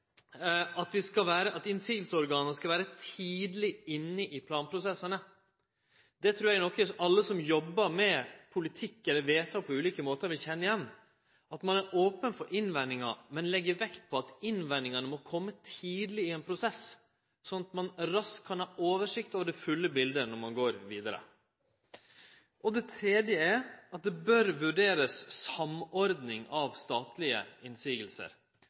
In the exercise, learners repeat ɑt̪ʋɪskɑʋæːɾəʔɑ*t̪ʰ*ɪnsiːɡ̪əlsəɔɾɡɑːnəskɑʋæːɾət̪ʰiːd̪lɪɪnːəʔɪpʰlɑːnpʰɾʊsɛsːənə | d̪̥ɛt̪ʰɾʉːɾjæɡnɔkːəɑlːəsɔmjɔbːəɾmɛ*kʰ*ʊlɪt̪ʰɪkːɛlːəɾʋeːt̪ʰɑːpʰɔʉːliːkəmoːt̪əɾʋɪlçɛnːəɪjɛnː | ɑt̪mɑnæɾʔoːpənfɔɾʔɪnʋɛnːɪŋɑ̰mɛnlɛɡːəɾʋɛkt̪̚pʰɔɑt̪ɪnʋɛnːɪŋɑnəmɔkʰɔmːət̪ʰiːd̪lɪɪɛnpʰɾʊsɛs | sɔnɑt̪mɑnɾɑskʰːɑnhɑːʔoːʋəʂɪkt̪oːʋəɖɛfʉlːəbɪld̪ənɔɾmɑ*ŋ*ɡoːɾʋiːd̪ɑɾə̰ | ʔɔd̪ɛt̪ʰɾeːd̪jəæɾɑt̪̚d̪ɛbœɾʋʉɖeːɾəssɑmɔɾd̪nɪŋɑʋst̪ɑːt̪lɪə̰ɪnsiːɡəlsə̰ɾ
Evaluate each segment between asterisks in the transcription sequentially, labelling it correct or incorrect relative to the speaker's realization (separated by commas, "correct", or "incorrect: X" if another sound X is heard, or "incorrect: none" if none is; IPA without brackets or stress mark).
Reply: incorrect: t̪, incorrect: pʰ, incorrect: n